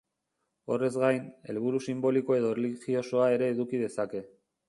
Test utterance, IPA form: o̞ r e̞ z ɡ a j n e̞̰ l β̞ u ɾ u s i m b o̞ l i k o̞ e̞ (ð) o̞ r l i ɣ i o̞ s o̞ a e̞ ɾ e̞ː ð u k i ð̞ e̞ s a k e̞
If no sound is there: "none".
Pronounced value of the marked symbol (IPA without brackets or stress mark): ð